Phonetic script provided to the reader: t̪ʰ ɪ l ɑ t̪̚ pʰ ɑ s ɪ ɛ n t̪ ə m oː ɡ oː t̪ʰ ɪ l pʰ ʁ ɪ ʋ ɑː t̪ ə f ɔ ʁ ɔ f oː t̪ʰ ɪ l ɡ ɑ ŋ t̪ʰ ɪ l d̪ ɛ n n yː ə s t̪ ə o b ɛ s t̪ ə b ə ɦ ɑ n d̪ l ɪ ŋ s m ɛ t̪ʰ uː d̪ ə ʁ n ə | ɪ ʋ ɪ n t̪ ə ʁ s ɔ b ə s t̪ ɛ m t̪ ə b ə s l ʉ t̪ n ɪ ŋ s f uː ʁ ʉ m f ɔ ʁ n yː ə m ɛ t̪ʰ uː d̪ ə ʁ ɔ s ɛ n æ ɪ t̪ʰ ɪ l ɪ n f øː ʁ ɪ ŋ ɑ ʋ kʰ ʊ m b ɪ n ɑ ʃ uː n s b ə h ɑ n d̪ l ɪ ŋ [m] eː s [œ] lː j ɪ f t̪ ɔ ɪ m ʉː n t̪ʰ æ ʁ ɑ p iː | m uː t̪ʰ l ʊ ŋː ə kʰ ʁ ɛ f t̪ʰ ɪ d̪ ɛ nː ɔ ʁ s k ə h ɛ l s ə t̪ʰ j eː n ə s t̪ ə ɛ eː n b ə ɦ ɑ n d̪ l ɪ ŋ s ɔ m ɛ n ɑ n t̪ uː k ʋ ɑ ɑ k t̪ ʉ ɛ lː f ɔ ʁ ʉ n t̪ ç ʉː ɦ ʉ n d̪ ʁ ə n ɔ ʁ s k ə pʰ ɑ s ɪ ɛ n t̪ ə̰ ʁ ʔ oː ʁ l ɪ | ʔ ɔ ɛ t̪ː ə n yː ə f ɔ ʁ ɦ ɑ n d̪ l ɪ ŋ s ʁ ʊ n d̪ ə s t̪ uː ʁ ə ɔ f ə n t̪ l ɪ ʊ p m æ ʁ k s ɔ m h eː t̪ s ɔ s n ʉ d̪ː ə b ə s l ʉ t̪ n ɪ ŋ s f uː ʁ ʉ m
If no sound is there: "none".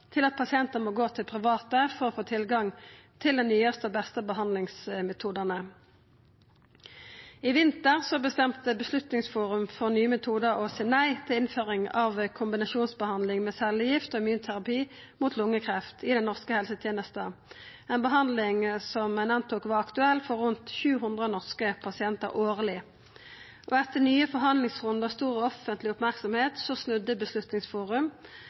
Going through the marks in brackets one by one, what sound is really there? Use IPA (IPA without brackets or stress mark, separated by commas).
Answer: m, ɛ